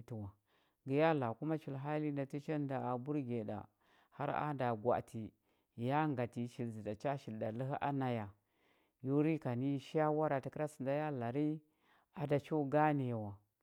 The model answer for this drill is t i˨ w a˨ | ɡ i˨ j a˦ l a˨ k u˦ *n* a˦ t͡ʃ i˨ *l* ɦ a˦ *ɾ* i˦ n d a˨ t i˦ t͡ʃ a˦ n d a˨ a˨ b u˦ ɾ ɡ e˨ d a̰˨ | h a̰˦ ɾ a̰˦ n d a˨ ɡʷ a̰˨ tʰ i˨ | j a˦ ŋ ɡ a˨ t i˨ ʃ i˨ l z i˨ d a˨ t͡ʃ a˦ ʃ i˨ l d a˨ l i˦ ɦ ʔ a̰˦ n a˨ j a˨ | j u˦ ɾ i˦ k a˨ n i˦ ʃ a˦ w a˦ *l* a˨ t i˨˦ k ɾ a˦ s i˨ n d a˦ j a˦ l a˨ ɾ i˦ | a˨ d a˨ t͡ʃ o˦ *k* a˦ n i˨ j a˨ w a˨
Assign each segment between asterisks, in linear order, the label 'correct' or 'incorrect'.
incorrect: m, correct, incorrect: l, incorrect: ɾ, incorrect: ɡ

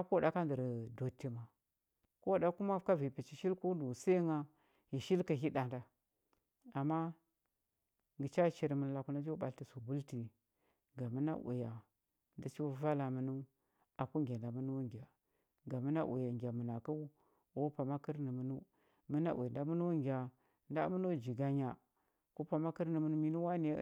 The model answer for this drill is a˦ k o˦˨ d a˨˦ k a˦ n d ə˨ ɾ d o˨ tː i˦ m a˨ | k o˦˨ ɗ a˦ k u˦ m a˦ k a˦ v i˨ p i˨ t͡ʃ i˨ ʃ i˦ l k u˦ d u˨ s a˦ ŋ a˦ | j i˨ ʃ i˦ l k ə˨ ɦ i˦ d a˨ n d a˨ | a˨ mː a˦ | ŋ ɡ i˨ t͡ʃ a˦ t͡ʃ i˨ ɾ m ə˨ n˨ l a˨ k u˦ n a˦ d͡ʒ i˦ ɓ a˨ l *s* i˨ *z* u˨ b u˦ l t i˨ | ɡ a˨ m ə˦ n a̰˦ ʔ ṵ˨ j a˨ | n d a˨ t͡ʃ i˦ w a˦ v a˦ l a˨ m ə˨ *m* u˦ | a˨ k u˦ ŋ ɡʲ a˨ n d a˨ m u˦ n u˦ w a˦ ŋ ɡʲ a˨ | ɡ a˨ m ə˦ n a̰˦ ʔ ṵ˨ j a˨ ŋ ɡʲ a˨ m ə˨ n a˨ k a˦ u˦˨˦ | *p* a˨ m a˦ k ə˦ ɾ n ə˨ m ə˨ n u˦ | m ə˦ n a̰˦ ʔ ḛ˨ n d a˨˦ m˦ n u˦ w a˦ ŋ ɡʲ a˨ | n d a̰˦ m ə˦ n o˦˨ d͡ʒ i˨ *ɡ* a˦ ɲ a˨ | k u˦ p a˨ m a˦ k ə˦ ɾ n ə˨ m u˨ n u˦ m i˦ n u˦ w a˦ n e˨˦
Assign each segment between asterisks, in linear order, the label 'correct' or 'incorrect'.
incorrect: t, incorrect: s, incorrect: n, correct, correct

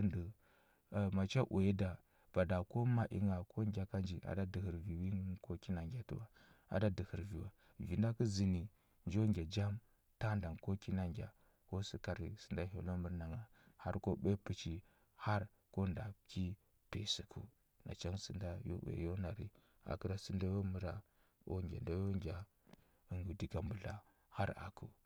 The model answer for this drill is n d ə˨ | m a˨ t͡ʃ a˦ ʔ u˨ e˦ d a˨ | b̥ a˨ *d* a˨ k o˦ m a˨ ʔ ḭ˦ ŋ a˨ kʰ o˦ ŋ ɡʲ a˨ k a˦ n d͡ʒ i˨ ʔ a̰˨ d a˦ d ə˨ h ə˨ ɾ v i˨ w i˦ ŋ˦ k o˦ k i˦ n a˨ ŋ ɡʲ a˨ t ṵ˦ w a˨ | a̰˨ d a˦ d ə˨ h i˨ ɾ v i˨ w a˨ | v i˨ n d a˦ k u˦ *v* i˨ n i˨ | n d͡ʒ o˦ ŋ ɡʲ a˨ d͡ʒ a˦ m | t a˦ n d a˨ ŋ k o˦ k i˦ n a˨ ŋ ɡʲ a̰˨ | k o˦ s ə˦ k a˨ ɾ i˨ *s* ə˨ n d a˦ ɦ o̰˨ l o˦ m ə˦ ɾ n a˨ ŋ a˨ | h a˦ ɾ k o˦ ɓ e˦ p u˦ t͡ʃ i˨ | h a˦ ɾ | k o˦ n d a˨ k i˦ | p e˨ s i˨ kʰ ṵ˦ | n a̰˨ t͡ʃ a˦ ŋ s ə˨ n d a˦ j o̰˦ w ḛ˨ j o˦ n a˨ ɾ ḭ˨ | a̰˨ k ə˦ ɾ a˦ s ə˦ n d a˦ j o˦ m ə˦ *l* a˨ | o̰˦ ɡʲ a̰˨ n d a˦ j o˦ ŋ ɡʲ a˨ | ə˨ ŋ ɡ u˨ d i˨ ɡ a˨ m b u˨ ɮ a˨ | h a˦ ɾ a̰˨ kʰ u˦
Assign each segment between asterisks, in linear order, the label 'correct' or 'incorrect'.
correct, incorrect: z, correct, incorrect: ɾ

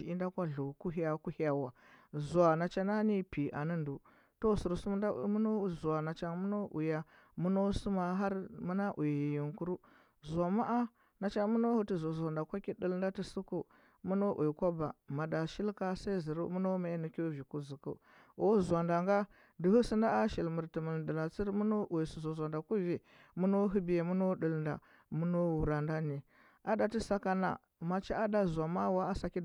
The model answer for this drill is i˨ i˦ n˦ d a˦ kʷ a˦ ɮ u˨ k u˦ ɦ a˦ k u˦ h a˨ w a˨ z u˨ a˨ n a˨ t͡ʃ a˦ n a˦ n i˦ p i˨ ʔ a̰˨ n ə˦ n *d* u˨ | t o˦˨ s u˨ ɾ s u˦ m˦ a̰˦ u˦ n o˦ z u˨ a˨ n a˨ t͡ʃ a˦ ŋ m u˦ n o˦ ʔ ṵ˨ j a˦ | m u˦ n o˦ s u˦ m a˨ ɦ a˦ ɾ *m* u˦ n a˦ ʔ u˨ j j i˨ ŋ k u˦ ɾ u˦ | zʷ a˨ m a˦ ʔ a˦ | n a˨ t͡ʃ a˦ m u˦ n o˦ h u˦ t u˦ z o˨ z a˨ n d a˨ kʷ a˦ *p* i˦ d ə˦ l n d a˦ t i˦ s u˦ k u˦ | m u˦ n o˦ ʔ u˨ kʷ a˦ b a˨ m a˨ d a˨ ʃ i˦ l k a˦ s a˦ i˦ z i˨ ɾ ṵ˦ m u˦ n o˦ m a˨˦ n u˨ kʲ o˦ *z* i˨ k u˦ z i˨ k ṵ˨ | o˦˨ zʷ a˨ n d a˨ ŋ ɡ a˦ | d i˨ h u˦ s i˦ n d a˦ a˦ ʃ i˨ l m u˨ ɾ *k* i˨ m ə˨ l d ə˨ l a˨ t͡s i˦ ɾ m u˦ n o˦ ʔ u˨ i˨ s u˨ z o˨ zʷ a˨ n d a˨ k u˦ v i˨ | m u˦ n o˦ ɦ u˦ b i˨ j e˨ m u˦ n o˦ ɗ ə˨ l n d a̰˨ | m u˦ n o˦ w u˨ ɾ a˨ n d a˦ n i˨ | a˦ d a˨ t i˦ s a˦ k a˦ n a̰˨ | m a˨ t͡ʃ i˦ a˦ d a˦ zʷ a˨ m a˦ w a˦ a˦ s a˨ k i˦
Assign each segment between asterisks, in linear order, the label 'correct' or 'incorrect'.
correct, correct, incorrect: k, incorrect: v, incorrect: t

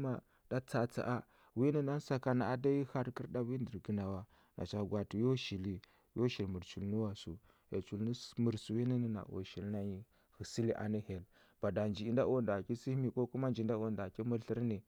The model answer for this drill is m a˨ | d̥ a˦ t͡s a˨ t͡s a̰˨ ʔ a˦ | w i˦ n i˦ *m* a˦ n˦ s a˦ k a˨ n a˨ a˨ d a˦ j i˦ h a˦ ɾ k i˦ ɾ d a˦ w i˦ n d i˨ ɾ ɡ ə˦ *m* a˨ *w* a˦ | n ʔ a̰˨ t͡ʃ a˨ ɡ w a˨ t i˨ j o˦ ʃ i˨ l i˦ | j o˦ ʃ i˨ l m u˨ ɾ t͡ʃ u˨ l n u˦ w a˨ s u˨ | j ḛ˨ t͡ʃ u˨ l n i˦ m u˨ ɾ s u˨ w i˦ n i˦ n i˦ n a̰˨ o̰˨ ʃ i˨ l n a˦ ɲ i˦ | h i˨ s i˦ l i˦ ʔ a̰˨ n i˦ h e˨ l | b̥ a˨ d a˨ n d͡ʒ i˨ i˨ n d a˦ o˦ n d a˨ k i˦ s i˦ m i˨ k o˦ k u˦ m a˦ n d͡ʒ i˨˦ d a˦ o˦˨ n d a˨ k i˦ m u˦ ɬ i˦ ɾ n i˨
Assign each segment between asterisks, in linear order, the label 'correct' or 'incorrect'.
incorrect: n, incorrect: n, correct

